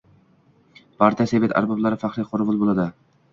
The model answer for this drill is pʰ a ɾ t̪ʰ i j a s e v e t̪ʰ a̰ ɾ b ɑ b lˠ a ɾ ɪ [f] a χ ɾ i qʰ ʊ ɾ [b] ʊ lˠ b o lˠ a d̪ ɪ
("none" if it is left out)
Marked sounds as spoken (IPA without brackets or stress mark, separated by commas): f, v